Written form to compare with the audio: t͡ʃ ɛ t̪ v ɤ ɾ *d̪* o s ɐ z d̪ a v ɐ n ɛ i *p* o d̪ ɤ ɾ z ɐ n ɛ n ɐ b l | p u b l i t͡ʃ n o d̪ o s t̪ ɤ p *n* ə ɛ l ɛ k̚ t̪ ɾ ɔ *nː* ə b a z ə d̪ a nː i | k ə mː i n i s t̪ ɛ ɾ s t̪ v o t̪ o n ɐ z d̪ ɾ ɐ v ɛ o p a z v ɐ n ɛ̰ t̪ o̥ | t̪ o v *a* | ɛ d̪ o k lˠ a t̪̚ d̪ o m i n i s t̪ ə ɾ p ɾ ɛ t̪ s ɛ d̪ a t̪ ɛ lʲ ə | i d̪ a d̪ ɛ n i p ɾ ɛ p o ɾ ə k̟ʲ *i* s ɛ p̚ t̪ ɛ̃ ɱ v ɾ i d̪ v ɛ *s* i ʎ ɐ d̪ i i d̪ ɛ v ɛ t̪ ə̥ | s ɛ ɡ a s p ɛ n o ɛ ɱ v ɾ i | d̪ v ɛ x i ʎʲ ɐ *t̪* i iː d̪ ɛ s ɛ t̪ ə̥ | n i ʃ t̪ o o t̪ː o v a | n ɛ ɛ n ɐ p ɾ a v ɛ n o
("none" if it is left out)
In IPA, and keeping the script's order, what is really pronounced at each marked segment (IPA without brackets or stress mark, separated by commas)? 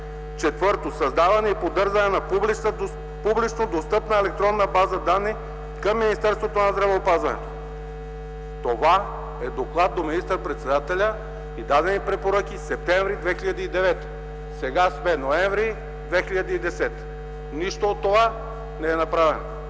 t̪, p, n, nː, a, i, x, d̪